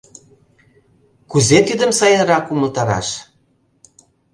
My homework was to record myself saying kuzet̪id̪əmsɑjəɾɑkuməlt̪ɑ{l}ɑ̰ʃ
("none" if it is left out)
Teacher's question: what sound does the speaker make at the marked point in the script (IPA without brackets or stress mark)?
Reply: ɾ